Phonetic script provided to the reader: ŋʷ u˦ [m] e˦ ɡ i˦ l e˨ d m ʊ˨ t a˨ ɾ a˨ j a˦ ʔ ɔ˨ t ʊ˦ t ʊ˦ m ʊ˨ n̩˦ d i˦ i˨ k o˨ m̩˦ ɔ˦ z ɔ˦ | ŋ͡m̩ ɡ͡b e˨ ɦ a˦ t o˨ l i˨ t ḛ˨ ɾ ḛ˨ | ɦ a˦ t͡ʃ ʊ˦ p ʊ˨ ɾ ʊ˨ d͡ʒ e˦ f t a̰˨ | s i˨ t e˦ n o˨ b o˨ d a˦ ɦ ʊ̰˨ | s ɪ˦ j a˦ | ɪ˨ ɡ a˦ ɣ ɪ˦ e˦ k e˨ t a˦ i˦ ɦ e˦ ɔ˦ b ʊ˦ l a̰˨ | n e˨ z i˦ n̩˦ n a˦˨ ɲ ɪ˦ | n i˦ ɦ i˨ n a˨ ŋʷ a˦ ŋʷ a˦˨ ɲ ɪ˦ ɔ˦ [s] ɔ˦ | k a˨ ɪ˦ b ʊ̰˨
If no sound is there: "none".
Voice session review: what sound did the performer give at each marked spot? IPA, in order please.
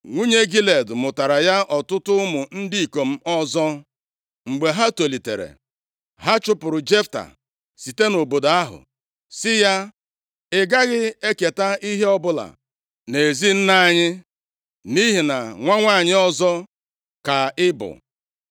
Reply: ɲ, z

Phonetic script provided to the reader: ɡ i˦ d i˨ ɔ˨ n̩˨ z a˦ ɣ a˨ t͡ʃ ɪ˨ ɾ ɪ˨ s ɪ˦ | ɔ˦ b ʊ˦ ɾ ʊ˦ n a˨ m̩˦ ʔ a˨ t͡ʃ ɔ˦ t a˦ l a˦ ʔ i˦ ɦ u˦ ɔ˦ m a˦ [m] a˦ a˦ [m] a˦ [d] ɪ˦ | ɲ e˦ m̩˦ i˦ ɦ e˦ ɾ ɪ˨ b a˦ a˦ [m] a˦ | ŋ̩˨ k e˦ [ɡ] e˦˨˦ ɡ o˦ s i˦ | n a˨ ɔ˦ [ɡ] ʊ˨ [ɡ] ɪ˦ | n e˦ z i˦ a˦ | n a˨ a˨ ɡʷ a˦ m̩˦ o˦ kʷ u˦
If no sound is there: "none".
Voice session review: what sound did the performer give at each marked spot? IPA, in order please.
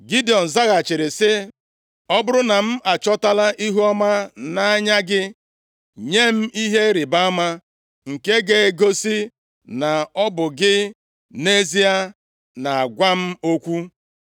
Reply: n, ɲ, ɡ, m, ɡ, b, ɡ

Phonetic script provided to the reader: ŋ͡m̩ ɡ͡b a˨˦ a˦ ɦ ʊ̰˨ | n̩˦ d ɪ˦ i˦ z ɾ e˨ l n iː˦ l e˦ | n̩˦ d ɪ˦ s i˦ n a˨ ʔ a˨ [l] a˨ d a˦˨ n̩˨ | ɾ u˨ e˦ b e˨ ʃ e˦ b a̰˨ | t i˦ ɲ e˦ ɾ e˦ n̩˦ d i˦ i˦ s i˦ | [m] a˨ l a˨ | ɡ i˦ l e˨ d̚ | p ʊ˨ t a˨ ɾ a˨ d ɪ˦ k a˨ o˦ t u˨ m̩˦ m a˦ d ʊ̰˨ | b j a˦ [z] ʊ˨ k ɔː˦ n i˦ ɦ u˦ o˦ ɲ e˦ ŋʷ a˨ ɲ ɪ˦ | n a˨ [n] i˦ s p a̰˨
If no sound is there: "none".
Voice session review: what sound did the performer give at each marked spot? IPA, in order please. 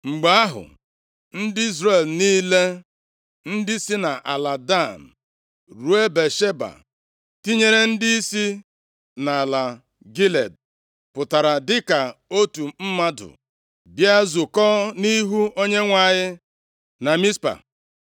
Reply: l, n, z, m

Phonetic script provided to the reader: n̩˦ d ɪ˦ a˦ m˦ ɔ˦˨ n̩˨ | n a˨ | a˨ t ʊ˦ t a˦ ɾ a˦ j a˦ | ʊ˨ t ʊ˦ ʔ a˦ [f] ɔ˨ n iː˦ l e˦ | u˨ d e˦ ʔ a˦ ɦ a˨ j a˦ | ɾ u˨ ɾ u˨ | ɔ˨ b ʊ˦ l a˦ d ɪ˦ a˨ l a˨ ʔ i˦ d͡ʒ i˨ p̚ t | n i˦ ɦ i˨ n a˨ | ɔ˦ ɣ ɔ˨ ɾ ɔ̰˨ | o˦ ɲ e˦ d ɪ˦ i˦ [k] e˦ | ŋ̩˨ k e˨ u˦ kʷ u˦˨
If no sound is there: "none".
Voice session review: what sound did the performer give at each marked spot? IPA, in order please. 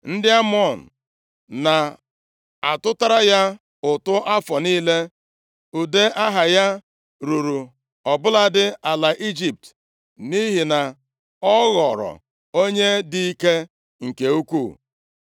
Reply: f, k

